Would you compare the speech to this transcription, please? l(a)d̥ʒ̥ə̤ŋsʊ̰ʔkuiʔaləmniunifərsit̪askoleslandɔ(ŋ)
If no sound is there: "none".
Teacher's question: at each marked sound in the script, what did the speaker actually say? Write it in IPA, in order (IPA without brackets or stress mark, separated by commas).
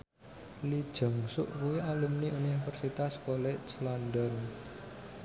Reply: i, n